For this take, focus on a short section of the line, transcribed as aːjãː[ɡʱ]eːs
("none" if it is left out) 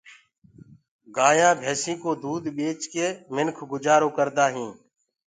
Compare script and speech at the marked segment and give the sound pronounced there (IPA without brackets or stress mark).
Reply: bʱ